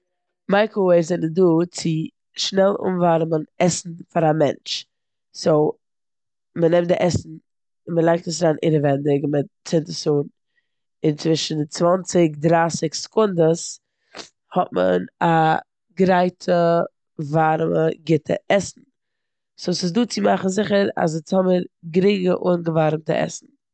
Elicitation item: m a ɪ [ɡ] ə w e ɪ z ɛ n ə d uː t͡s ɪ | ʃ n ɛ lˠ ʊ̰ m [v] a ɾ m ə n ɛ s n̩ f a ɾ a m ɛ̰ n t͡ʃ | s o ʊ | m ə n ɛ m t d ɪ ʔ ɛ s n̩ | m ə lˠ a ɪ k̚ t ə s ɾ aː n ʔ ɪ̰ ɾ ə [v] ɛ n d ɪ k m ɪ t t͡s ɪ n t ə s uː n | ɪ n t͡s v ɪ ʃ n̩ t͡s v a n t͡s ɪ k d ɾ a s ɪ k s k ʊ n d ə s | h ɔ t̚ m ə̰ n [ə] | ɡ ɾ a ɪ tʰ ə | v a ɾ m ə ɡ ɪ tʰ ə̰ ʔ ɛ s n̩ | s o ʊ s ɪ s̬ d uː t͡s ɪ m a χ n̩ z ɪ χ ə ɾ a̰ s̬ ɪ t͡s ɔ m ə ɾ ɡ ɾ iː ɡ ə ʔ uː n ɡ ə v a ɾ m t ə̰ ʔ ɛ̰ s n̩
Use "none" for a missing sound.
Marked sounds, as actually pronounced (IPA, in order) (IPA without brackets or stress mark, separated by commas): k, v, v, a